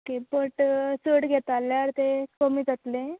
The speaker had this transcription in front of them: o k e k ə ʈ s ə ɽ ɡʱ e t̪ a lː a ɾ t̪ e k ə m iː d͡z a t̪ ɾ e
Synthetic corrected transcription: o k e p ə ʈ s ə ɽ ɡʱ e t̪ a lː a ɾ t̪ e k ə m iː d͡z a t̪ l e